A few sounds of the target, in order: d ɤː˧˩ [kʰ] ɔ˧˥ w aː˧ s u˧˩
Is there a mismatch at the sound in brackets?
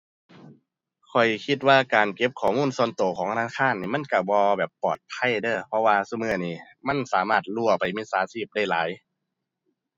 yes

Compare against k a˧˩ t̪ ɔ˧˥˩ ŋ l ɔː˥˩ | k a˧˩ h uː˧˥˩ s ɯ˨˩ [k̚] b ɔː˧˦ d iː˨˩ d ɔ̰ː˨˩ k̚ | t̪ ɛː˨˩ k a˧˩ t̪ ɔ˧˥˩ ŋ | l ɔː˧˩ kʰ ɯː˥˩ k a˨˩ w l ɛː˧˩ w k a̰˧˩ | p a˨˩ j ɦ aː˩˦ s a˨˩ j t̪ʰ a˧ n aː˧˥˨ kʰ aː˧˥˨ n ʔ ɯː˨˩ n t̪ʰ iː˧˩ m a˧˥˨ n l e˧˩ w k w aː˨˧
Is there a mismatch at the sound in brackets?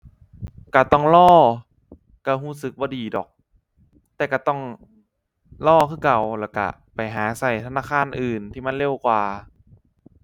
no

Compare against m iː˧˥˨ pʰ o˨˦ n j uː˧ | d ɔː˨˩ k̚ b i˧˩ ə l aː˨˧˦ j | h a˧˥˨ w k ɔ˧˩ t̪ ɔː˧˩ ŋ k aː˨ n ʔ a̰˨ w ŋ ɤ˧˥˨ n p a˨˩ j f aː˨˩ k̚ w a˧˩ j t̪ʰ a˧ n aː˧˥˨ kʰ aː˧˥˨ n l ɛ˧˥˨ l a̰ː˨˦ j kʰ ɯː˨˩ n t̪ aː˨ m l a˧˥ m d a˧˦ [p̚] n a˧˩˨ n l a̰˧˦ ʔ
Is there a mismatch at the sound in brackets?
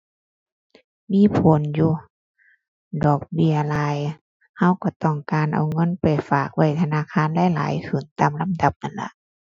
no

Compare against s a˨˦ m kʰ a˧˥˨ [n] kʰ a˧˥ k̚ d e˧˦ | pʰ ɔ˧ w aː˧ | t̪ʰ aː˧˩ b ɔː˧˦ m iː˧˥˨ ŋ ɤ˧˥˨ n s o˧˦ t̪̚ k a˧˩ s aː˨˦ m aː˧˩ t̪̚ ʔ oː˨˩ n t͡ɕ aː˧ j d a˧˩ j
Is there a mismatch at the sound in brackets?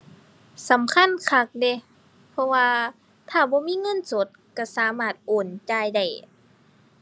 no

